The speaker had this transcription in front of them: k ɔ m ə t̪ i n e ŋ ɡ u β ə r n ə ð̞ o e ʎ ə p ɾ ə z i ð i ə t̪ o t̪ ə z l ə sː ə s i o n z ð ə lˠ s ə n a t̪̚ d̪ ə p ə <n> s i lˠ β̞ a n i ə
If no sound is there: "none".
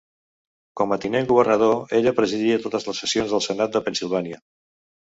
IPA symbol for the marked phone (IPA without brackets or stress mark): n